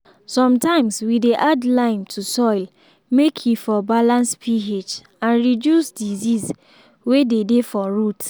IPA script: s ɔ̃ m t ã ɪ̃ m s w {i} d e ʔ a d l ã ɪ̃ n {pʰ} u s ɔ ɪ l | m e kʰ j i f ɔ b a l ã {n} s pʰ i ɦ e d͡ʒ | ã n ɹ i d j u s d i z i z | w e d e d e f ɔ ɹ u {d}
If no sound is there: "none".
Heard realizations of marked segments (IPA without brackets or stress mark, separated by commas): i, tʰ, n, t